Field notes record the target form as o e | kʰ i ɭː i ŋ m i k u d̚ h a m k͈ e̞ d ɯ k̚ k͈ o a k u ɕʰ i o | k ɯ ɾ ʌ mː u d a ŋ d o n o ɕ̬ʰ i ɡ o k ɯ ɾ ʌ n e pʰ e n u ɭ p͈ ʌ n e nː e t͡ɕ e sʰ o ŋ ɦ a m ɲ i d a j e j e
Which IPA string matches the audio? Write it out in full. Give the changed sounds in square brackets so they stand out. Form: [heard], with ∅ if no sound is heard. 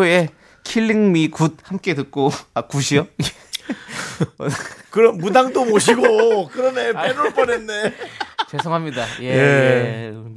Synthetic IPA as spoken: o e | kʰ i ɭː i ŋ m i k u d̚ h a m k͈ e̞ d ɯ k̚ k͈ o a k u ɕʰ i o | k ɯ ɾ ʌ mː u d a ŋ d o [m] o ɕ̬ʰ i ɡ o k ɯ ɾ ʌ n e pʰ e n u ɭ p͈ ʌ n e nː e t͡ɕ e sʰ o ŋ ɦ a m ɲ i d a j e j e